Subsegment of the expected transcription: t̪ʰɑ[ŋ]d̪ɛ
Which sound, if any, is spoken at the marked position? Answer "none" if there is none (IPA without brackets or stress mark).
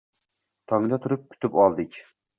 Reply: ŋ